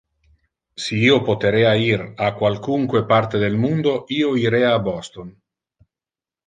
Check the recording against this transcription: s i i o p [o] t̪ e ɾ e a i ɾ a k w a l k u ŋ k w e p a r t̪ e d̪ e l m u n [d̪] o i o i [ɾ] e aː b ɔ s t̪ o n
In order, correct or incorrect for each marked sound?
correct, correct, correct

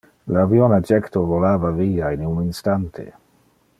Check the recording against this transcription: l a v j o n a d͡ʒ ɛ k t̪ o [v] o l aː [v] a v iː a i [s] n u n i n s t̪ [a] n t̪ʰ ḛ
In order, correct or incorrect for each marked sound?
correct, correct, incorrect: none, correct

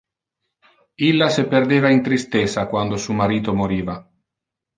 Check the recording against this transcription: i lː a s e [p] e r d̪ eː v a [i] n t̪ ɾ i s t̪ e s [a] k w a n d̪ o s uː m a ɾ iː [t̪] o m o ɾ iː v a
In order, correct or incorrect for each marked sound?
correct, correct, correct, correct

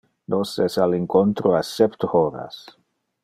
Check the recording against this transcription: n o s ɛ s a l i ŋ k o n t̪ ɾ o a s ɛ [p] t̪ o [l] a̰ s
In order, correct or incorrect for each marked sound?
correct, incorrect: ɾ

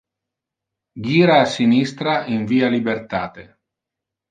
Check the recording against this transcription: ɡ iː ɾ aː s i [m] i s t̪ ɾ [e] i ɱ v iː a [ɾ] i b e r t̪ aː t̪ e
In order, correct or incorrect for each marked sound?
incorrect: n, incorrect: a, incorrect: l

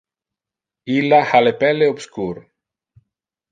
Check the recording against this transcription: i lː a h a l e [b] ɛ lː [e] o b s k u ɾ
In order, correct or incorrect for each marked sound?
incorrect: p, correct

